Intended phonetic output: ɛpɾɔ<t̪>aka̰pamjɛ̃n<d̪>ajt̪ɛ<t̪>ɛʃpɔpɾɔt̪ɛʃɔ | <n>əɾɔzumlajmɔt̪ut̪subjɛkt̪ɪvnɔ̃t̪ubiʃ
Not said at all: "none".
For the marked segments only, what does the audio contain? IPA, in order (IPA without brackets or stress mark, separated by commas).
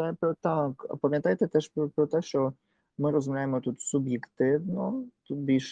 t̪, t̪, t̪, m